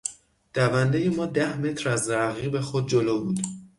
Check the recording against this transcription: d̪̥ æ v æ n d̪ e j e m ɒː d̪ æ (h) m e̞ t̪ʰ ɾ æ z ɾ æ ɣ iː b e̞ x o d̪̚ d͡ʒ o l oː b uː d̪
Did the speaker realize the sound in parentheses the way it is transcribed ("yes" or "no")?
yes